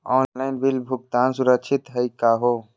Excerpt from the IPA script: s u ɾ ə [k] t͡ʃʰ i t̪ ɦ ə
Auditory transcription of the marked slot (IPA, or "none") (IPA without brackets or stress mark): k